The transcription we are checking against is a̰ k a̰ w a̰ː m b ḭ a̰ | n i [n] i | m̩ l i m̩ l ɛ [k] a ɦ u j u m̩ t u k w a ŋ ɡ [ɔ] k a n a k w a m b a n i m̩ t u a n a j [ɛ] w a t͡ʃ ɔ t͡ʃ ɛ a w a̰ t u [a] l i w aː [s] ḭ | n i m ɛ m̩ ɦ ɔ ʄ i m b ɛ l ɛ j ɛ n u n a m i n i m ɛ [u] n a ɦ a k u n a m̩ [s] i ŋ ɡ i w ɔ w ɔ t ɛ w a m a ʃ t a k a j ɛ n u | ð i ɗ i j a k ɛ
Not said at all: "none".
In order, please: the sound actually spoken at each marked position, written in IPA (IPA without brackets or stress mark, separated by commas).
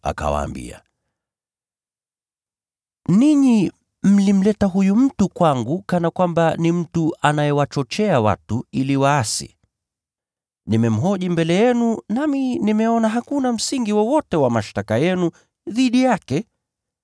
ɲ, t, u, ɛ, i, s, ɔ, s